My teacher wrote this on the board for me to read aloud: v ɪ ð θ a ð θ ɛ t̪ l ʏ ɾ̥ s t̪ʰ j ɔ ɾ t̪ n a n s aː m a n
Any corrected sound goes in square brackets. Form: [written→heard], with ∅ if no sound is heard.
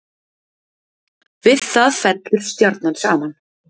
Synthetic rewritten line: v ɪ ð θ a ð [θ→f] ɛ t̪ l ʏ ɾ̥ s [t̪ʰ→t̪] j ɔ ɾ t̪ n a n s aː m a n